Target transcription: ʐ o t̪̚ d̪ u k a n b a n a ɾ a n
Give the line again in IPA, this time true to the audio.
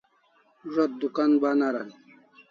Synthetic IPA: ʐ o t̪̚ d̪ u k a n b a n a ɾ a n